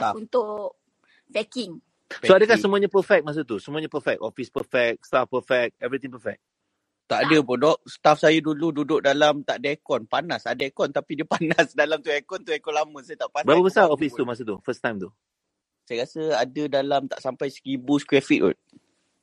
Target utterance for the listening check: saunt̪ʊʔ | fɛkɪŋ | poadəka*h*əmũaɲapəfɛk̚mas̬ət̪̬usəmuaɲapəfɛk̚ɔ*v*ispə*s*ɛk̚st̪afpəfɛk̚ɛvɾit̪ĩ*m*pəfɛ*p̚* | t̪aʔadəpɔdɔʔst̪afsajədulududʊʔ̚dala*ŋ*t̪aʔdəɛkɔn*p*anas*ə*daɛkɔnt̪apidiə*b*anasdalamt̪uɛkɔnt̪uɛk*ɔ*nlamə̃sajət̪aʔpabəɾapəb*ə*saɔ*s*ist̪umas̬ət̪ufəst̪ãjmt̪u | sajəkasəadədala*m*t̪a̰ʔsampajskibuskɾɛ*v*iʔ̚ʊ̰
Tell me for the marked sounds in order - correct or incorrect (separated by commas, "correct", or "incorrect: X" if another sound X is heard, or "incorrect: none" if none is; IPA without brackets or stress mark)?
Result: incorrect: s, incorrect: f, incorrect: f, incorrect: ŋ, incorrect: k̚, incorrect: m, correct, incorrect: a, incorrect: p, correct, correct, incorrect: f, correct, incorrect: f